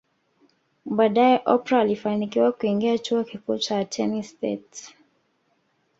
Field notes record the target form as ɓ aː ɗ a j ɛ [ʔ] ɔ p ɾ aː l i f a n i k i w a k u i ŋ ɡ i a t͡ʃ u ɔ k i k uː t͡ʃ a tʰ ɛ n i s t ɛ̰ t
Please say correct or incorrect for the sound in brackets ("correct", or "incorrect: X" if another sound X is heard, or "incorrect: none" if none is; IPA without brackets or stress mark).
correct